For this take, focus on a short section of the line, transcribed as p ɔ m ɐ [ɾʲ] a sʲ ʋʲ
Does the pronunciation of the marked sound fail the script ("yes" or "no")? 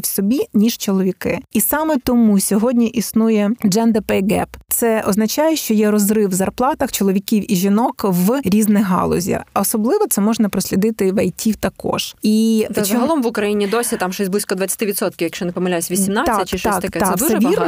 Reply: yes